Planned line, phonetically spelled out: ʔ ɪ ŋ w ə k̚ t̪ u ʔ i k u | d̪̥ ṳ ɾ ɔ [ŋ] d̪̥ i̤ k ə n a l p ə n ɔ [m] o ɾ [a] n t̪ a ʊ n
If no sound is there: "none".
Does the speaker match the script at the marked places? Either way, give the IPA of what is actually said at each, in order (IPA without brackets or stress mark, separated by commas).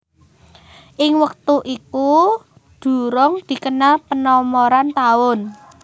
ŋ, m, a